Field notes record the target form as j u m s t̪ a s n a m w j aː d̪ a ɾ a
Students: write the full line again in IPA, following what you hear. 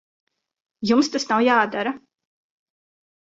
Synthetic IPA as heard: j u m s t̪ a s n a w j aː d̪ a ɾ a